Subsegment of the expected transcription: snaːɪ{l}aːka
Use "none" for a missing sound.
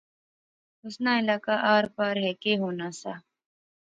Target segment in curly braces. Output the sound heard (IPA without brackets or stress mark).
l